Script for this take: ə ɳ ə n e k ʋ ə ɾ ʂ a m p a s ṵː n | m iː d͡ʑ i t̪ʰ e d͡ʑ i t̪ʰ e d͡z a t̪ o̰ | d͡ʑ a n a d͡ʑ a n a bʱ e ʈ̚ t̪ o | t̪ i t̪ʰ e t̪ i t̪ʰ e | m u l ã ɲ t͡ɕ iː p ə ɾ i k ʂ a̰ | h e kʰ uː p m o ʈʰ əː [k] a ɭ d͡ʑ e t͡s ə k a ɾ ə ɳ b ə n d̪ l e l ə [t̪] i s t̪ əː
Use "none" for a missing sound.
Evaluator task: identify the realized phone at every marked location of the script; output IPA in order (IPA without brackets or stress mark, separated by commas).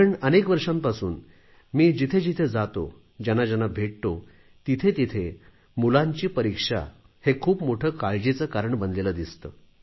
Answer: k, d̪